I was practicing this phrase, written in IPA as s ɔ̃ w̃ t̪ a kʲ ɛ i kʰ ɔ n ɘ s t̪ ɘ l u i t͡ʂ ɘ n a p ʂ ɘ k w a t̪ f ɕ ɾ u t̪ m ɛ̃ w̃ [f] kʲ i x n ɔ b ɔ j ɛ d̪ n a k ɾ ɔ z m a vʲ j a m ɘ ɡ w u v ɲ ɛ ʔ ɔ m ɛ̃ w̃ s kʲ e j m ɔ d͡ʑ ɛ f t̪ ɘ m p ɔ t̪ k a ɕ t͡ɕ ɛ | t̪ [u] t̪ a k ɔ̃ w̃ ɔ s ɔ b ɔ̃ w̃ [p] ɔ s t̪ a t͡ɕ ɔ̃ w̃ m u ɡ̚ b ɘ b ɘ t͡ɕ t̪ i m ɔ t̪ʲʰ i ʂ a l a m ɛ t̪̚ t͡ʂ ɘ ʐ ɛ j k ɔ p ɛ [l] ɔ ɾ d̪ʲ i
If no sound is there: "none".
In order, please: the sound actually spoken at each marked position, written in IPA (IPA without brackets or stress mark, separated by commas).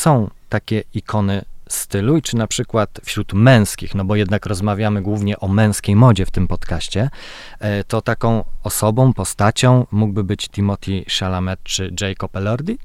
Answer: s, ɔ, p, l